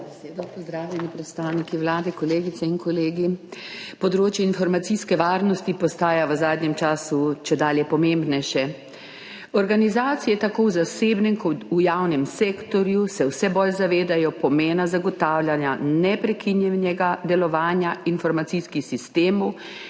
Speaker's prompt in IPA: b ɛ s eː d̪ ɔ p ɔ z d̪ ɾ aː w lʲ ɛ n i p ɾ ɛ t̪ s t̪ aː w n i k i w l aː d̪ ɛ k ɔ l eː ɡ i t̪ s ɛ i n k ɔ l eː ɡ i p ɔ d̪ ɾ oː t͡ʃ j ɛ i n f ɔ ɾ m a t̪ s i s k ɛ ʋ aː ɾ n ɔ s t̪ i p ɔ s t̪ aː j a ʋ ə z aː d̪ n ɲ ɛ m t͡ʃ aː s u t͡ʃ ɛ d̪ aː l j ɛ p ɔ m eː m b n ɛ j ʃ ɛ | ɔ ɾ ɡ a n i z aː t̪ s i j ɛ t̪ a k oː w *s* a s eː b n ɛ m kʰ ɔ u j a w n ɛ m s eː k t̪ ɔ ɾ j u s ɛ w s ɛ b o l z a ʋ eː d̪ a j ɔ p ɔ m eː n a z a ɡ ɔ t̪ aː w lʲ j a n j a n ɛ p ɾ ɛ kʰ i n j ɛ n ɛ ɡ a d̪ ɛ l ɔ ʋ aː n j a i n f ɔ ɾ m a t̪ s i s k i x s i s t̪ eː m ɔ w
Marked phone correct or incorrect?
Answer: incorrect: z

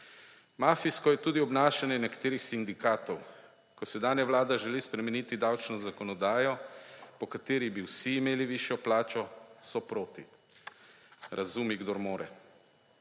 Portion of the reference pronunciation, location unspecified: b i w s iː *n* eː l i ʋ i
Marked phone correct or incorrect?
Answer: incorrect: m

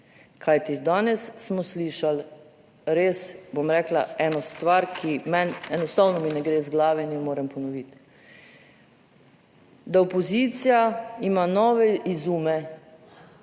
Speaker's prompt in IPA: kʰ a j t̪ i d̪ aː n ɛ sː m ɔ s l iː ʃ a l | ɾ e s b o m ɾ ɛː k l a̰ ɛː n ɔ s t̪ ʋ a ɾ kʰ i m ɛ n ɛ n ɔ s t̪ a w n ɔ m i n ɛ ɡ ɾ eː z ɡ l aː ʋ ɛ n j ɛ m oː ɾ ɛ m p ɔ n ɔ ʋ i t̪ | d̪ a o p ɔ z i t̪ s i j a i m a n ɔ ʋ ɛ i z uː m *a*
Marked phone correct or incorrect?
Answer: incorrect: ɛ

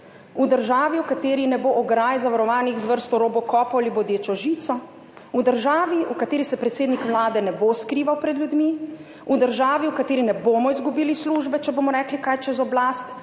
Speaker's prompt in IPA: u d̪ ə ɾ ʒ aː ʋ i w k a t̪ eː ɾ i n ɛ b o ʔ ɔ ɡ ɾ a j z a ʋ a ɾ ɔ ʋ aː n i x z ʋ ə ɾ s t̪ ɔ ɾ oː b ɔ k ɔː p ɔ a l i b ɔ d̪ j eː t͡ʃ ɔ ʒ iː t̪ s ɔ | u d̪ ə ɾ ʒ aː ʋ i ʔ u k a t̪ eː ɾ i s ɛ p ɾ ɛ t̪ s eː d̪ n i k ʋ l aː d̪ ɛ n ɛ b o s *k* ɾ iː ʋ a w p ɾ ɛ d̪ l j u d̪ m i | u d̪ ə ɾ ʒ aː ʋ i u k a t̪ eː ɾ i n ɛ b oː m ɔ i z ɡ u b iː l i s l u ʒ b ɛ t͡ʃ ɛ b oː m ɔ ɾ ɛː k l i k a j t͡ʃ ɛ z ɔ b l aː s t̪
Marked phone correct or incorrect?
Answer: correct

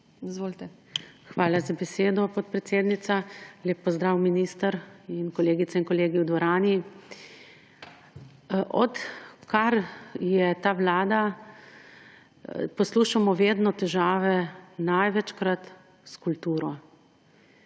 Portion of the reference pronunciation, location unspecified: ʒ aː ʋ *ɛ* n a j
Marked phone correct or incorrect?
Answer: correct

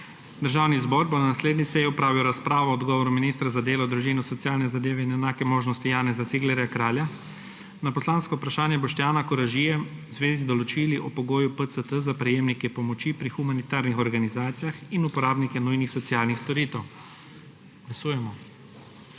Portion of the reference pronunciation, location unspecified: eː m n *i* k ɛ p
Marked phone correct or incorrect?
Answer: correct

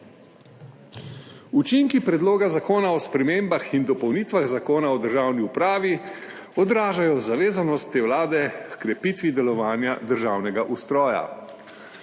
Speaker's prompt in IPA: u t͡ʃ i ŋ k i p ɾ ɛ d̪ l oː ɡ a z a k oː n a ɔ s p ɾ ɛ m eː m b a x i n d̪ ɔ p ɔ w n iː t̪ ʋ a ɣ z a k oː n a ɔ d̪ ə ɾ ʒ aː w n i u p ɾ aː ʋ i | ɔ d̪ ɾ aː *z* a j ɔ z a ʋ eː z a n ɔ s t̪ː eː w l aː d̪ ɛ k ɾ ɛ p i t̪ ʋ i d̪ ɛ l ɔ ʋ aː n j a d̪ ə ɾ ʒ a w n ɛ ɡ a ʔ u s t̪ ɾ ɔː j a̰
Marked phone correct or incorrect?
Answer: incorrect: ʒ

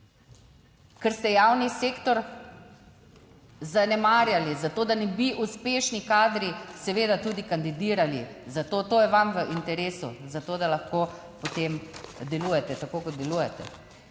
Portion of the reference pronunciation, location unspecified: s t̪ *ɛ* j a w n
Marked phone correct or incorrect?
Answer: correct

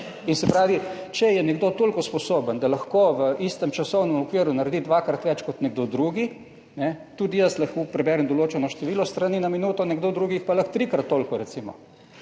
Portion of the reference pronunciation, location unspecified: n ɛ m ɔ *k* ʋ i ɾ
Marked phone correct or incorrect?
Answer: correct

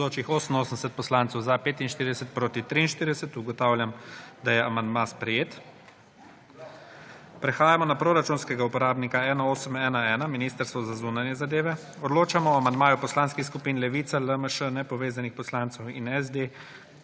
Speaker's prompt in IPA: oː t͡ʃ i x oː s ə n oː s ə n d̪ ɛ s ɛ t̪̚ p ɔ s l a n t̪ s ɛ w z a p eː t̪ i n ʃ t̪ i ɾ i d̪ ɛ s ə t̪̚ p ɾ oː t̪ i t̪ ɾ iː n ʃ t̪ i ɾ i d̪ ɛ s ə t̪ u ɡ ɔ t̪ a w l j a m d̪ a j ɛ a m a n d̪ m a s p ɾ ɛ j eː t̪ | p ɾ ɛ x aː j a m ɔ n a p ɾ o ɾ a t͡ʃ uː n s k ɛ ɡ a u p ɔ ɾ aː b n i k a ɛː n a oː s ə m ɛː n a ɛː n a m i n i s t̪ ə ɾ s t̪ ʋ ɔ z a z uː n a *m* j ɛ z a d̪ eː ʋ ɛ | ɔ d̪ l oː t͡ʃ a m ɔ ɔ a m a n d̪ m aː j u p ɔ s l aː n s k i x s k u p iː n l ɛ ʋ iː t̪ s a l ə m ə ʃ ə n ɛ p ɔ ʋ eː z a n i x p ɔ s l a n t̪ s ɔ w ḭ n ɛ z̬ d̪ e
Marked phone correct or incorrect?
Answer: incorrect: n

